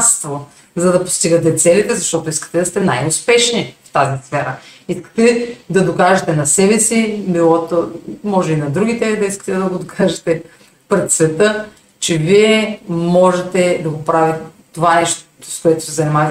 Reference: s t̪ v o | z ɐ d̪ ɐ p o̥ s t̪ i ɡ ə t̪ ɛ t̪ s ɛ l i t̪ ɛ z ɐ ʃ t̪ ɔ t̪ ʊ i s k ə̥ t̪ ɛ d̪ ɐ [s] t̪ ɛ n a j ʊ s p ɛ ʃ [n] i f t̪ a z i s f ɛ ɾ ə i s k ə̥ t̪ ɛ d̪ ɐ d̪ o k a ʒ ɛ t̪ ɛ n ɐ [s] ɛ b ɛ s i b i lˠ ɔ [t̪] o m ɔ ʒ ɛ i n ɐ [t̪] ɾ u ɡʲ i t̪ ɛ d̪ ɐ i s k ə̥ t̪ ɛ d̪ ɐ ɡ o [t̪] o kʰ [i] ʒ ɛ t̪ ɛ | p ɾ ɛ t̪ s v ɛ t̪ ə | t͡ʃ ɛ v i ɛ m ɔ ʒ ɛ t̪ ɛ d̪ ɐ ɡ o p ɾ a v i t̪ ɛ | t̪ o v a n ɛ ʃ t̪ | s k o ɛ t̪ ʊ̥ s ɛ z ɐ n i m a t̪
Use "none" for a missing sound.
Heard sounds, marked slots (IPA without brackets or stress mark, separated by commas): s, n, s, t̪, d̪, d̪, a